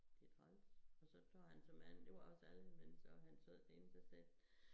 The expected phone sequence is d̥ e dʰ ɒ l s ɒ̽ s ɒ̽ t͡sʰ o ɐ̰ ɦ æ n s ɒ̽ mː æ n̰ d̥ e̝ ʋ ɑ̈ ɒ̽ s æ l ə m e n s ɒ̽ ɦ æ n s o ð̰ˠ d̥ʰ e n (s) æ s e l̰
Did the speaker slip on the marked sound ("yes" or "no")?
no